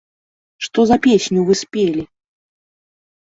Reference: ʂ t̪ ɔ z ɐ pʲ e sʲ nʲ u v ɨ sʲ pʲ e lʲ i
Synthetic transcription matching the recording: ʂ t̪ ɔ z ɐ pʲ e sʲ nʲ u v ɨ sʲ pʲ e lʲ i